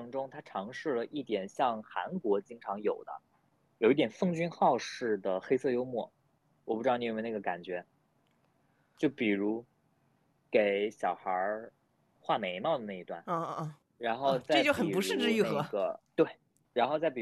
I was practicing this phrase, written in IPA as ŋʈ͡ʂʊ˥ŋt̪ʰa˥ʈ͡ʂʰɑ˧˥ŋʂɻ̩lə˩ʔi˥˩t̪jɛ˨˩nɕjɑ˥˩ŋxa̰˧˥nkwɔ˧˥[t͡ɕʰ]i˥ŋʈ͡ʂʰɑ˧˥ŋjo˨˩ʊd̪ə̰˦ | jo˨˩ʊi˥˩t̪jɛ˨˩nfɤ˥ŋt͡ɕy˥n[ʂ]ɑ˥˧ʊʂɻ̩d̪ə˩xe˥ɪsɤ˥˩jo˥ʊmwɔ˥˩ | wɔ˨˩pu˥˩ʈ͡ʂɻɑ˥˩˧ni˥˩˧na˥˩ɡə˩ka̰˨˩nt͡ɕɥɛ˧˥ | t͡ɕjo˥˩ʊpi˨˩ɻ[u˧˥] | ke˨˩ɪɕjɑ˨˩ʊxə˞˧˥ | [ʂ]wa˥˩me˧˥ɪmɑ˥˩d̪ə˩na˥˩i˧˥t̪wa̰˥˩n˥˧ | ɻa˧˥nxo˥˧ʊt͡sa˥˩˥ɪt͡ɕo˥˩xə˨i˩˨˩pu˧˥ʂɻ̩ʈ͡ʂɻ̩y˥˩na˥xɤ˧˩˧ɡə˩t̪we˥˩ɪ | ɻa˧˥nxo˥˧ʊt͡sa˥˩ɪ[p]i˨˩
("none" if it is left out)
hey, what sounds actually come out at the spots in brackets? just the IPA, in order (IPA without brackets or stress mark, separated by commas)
t͡ɕ, x, u˧˥, x, p